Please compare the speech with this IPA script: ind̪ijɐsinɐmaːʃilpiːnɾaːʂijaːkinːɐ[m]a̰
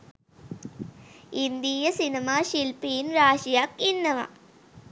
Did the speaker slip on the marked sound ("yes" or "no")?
no